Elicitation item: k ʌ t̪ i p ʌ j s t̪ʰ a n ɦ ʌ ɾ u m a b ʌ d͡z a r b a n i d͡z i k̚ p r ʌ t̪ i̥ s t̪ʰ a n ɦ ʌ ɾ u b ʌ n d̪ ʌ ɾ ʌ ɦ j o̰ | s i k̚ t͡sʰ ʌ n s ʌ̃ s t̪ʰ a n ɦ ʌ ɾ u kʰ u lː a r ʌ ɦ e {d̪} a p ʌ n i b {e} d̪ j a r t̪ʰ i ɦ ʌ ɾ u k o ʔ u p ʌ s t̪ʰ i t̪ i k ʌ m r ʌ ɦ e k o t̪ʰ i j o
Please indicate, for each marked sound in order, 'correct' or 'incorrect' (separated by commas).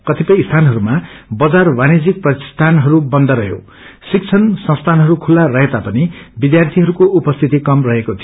incorrect, incorrect